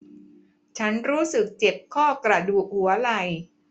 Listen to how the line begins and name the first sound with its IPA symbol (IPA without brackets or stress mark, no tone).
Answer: t͡ɕʰ